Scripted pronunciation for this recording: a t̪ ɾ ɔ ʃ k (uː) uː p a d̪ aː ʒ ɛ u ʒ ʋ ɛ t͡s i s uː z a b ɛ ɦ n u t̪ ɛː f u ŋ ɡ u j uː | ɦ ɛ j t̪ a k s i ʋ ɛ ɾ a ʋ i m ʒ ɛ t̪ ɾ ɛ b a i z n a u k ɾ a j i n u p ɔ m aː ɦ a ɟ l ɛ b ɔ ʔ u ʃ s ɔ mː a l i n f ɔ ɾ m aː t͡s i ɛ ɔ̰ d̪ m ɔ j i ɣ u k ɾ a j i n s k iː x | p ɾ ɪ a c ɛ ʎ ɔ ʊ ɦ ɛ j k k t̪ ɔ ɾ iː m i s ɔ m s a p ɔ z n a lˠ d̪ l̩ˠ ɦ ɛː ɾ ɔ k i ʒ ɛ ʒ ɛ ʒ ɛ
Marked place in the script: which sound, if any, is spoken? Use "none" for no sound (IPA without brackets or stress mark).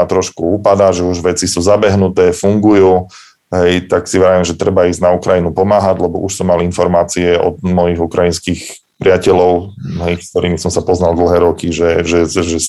u